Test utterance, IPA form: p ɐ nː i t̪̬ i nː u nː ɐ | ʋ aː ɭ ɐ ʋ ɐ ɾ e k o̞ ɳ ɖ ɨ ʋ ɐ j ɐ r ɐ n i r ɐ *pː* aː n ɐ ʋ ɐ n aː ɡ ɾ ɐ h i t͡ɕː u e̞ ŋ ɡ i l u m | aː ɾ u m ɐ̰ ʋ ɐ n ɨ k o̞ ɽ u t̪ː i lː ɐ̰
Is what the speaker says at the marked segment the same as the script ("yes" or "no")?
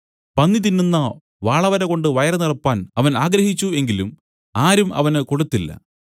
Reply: yes